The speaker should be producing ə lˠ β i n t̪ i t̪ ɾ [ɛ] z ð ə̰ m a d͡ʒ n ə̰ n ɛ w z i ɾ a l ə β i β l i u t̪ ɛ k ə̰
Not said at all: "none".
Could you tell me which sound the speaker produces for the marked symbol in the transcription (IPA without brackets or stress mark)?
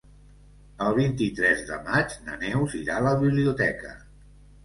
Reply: ɛ